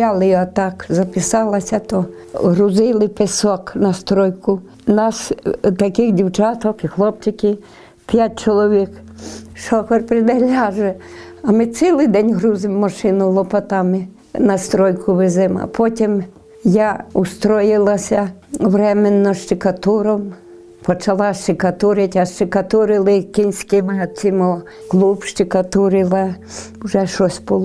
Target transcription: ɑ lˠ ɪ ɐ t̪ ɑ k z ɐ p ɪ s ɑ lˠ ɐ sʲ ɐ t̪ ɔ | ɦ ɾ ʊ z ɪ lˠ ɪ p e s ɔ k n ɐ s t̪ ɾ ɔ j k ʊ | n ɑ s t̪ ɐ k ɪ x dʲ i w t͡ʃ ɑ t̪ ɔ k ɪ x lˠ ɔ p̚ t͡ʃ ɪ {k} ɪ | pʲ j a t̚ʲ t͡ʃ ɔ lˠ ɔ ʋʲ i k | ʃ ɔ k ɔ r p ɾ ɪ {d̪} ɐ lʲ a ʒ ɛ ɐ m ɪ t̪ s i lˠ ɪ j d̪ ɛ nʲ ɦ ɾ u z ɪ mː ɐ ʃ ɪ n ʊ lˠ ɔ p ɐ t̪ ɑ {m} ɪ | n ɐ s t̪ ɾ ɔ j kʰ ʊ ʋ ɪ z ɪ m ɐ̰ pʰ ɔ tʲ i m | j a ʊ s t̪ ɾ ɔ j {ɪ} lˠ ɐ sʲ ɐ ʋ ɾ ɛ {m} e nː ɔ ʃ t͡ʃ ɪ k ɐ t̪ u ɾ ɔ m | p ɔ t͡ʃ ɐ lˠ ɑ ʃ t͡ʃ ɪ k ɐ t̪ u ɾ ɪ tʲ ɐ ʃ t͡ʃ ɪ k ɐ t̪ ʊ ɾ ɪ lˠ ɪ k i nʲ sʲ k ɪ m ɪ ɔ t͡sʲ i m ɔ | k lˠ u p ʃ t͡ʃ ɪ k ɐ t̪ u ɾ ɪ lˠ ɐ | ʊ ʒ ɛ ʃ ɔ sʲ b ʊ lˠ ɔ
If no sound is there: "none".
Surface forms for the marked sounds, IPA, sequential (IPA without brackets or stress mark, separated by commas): k, d̪, m, ɪ, m